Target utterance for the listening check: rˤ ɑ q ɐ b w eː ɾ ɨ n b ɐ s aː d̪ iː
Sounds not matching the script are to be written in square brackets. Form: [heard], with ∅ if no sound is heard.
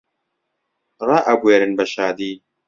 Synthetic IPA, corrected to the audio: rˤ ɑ [ʔ] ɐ b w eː ɾ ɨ n b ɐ [ʃ] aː d̪ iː